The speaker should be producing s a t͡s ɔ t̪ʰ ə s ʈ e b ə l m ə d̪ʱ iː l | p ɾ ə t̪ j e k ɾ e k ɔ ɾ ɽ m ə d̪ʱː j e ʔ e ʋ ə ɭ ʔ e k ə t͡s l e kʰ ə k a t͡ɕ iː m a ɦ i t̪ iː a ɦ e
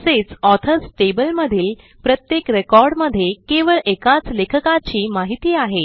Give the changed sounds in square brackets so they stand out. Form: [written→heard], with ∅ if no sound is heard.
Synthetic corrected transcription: s [a→e] t͡s ɔ t̪ʰ ə s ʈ e b ə l m ə d̪ʱ iː l | p ɾ ə t̪ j e k ɾ e k ɔ ɾ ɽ m ə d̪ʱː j e [ʔ→k] e ʋ ə ɭ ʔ e k [ə→a] t͡s l e kʰ ə k a t͡ɕ iː m a ɦ i t̪ iː a ɦ e